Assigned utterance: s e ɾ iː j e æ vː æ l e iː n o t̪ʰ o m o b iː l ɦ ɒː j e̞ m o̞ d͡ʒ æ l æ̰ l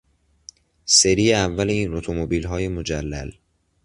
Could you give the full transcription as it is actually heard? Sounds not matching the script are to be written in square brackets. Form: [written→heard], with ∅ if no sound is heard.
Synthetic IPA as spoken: s e ɾ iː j e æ vː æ l e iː n o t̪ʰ o m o b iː l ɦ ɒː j e̞ m o̞ d͡ʒ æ [l→lː] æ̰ l